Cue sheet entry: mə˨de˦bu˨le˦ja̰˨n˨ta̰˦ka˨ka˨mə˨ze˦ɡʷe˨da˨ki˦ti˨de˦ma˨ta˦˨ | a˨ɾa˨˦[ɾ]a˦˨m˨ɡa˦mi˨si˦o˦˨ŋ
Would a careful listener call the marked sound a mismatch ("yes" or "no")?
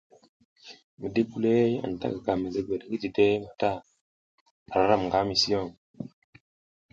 no